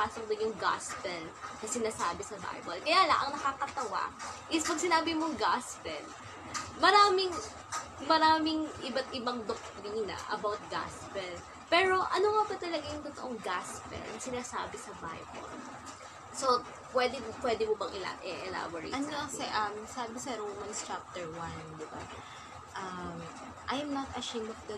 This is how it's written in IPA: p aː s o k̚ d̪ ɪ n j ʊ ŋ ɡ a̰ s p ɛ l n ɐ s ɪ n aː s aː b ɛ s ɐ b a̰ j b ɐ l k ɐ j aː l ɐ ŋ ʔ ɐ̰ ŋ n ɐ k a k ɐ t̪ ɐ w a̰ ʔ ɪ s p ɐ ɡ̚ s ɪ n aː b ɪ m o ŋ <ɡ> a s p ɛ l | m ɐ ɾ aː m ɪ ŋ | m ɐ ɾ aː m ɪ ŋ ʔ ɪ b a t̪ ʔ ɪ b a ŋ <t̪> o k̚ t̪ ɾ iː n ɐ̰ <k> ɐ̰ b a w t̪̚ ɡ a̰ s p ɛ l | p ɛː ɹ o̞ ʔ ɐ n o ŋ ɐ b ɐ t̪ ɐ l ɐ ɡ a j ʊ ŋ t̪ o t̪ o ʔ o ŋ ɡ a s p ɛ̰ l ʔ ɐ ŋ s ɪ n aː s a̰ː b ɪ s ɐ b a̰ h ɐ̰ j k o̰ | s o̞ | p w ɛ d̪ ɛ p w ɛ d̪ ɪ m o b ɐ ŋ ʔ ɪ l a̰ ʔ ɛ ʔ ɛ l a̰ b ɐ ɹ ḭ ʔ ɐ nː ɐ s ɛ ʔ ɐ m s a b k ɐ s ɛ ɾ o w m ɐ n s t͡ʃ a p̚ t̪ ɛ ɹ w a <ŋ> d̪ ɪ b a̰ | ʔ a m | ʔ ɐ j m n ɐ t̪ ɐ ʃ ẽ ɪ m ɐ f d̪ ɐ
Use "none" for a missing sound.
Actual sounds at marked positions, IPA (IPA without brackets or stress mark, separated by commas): ɡ, d̪, ʔ, n